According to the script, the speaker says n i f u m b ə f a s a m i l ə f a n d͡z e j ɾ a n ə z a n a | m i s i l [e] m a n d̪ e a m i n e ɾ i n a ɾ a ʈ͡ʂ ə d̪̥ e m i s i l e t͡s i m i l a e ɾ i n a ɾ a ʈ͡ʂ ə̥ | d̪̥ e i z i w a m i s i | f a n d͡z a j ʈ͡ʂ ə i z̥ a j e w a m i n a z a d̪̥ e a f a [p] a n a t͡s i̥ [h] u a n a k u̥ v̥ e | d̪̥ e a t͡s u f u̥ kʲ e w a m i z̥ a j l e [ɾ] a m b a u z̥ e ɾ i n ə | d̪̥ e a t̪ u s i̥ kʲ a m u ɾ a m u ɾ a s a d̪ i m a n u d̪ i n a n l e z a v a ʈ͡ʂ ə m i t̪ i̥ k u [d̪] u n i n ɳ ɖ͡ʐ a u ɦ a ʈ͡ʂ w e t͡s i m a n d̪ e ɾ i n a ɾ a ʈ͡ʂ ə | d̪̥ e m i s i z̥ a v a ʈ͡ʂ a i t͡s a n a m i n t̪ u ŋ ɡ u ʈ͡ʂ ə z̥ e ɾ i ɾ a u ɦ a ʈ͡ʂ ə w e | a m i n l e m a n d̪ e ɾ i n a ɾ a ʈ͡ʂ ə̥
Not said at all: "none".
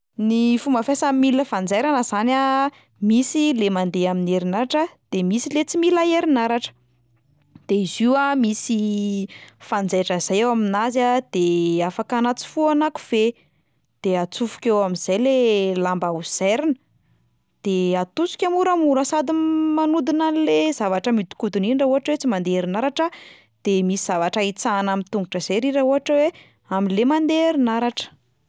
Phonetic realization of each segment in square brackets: e, k, f, l, d̪

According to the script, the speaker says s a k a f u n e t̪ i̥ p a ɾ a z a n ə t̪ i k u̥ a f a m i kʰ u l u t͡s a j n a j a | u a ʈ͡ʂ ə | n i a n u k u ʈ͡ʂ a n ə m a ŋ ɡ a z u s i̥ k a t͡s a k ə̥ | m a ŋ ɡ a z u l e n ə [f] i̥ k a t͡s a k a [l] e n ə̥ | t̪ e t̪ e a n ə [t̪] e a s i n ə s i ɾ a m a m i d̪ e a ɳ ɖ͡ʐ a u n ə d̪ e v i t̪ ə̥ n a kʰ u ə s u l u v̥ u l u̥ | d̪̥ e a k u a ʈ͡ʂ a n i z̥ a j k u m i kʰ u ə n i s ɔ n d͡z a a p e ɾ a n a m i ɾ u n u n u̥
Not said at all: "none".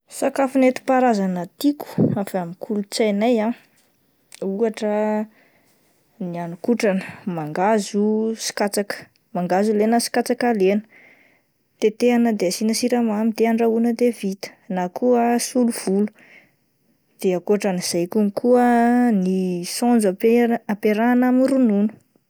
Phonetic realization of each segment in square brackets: s, l, d̪

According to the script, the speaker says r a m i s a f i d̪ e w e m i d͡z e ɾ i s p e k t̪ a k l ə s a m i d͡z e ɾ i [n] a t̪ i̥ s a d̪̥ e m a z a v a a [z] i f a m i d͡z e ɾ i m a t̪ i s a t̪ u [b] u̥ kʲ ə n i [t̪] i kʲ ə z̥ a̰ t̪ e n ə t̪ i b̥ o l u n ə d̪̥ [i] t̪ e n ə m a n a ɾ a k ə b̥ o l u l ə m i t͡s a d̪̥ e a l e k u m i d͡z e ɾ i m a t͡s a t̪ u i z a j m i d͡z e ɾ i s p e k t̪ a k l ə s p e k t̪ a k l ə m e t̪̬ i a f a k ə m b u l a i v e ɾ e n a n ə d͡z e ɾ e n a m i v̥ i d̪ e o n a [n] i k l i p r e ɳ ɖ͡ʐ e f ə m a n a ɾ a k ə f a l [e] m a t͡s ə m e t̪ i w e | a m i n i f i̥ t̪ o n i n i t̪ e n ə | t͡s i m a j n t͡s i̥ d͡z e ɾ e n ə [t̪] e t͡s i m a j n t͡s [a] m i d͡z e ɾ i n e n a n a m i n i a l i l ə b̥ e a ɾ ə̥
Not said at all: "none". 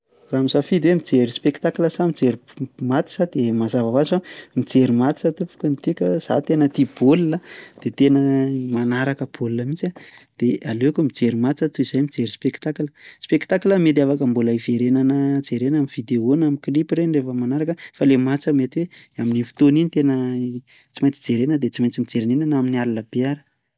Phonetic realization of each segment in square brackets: m, z, p, t̪, e, m, e, d̪, i

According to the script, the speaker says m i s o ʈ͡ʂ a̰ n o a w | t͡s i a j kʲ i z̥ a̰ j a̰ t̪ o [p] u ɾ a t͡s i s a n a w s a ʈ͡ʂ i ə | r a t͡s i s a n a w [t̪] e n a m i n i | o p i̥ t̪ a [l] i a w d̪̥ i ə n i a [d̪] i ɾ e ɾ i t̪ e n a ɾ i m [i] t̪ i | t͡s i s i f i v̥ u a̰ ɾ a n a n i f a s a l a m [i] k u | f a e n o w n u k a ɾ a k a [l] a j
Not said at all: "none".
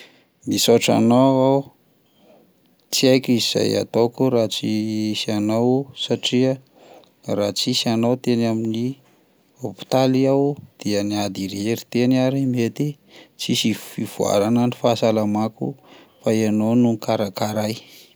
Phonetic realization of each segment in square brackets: k, t̪, l, d̪, e, a, ɾ

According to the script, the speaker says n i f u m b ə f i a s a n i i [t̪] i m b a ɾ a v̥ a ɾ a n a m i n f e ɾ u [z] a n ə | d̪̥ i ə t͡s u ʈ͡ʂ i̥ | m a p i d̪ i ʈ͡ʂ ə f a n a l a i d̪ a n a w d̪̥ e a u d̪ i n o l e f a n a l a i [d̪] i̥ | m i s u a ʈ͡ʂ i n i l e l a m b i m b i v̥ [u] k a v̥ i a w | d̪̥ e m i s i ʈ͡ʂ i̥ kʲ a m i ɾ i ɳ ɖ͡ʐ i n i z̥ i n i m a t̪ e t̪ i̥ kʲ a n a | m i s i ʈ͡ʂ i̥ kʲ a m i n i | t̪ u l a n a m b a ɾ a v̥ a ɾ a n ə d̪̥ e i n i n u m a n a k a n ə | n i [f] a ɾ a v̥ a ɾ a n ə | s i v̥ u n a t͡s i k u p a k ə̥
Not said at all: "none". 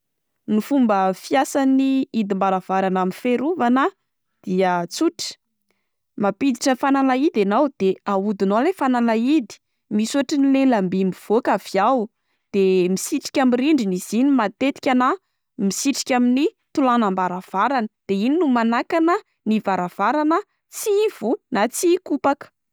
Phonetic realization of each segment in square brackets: d̪, v, d̪, o, v

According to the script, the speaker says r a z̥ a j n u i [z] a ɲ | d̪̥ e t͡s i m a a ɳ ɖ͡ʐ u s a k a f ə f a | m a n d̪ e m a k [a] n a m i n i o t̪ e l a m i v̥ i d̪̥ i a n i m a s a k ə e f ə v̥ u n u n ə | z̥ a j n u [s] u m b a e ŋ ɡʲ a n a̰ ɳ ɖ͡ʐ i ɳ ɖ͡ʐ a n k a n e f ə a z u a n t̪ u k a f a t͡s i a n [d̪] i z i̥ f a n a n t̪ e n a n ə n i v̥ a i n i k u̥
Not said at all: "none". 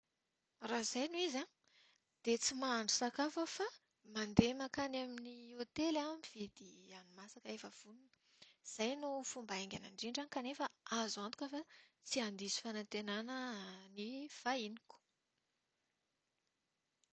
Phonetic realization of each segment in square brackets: z, a, f, d̪

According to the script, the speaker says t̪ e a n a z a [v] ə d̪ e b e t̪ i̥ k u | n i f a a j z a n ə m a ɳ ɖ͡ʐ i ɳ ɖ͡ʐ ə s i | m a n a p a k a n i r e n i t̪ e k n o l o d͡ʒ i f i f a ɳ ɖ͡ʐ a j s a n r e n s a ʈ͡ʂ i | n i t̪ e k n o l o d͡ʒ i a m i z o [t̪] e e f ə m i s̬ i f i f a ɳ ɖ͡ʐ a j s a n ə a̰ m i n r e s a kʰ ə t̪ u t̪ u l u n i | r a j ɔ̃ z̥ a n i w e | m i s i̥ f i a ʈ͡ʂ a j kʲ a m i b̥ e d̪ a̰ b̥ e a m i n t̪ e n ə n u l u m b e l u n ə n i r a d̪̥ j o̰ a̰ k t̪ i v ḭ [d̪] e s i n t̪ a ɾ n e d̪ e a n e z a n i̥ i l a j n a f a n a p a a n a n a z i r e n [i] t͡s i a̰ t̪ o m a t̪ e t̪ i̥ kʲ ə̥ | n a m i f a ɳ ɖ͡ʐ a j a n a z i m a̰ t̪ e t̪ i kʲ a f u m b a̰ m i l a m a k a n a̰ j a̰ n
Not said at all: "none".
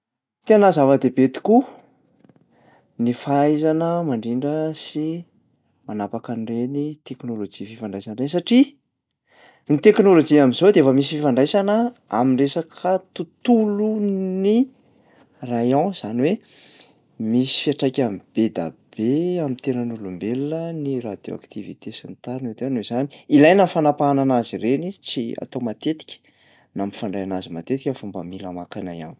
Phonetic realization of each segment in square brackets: v, d̪, t̪, i

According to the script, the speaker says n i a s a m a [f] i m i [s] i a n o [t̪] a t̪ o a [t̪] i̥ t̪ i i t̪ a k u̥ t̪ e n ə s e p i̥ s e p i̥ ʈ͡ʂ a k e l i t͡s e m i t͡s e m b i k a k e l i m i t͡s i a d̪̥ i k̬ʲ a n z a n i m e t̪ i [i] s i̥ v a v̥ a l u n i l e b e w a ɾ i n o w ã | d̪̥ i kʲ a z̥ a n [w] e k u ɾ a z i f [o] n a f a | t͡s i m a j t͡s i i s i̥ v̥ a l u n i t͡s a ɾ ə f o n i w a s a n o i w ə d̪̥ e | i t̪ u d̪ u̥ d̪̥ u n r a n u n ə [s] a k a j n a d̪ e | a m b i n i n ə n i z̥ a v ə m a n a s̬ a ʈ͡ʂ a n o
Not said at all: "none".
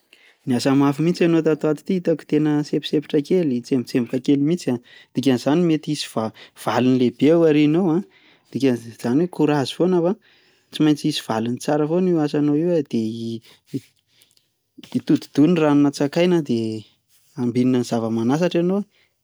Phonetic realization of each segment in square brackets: f, t͡s, t̪, t̪, i, w, o, t͡s

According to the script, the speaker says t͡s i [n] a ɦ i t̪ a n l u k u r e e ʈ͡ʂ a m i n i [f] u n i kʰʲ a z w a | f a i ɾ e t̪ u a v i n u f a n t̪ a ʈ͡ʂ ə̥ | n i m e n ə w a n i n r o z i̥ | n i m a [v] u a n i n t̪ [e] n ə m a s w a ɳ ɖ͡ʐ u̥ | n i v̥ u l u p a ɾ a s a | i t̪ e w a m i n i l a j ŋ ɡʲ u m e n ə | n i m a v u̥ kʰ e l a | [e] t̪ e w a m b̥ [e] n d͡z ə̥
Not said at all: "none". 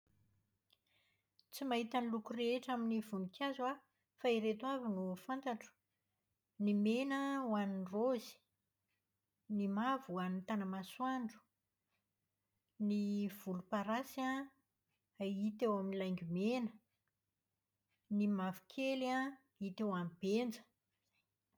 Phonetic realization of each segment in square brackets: m, v, v, a, i, e

